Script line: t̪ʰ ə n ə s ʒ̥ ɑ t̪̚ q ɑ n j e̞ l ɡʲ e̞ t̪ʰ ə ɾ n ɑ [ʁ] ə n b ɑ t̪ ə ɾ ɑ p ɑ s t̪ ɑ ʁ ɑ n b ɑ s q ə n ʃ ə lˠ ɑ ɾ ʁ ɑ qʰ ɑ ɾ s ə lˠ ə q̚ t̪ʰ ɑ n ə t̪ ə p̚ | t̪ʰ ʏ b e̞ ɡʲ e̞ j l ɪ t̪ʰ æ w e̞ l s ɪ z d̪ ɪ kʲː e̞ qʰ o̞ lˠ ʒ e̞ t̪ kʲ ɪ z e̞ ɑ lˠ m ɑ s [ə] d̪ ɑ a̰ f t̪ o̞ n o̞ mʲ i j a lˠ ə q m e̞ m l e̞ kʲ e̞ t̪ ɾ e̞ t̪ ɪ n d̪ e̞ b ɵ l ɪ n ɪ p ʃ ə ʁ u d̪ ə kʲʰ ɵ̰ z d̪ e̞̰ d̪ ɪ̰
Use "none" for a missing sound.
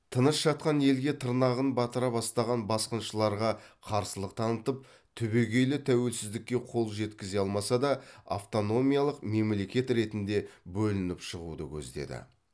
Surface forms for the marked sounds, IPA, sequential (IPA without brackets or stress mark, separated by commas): ʁ, ɑ